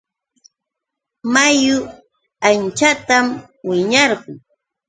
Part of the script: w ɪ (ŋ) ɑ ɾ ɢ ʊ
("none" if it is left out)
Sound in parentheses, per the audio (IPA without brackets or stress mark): ɲ